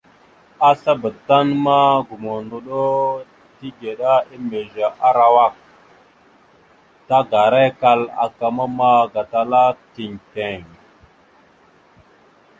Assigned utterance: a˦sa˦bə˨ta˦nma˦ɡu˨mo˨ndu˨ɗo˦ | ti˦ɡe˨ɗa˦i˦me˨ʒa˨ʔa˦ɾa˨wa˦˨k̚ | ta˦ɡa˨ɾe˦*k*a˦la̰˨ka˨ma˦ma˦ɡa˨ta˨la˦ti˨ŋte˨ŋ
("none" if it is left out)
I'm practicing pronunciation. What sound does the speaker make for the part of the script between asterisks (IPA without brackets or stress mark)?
k